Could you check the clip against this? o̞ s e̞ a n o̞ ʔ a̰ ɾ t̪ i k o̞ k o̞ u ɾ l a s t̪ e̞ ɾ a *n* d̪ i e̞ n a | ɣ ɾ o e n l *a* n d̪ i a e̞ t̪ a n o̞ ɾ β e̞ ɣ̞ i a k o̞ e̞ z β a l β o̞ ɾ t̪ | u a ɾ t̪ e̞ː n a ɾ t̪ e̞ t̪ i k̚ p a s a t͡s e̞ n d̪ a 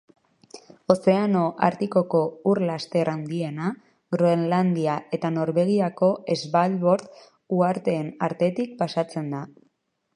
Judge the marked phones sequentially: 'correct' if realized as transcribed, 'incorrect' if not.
correct, correct

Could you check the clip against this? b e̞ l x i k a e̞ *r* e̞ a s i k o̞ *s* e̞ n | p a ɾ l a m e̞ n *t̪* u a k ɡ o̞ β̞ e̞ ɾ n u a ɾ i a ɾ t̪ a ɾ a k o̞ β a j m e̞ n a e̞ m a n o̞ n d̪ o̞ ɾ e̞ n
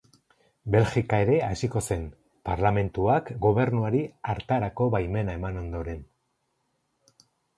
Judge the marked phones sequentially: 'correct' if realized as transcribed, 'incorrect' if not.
incorrect, correct, correct

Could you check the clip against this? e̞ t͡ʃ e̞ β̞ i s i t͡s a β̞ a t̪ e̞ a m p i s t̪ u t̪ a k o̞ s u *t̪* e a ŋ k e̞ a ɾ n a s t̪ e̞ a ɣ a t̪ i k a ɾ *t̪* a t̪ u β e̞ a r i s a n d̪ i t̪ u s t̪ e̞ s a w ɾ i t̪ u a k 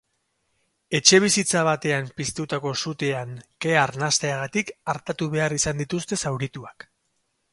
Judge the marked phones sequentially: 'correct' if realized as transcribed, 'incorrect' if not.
correct, correct

